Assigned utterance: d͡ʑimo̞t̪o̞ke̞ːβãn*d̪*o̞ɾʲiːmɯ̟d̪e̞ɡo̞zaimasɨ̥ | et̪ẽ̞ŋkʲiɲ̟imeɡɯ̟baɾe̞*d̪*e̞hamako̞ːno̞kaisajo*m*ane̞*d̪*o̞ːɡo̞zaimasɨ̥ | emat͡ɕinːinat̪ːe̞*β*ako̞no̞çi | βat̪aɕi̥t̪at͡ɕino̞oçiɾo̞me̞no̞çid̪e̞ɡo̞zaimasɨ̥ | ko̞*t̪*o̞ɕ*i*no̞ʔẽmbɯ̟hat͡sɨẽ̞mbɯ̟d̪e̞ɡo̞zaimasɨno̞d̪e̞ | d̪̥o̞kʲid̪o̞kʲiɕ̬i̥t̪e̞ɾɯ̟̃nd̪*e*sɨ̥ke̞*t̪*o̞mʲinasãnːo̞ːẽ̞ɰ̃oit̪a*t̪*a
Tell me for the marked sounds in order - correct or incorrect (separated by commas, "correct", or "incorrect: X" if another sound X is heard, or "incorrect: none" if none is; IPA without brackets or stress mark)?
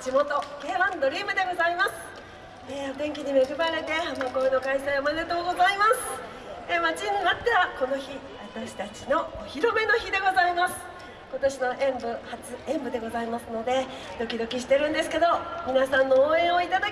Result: correct, incorrect: t̪, correct, incorrect: t̪, correct, correct, correct, correct, incorrect: d̪, incorrect: d̪